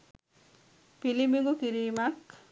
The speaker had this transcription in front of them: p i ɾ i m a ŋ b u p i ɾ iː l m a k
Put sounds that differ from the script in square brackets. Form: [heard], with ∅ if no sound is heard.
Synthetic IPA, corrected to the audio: p i [l] i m [i] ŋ [ɡ] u [k] i ɾ iː [∅] m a k